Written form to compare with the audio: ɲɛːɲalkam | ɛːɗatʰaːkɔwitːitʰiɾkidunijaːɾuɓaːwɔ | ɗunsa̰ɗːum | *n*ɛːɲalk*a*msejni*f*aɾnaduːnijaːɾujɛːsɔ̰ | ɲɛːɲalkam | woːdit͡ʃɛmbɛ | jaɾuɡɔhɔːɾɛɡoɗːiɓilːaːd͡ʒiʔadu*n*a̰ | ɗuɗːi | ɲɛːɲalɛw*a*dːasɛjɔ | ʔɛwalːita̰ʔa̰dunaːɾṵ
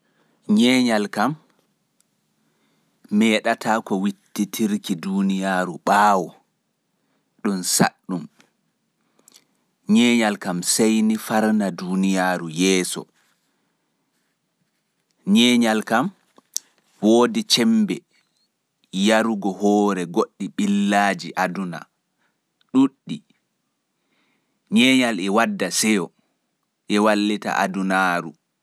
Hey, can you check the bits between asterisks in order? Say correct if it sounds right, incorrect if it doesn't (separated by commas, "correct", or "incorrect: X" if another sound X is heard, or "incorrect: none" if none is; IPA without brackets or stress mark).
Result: incorrect: ɲ, correct, correct, correct, correct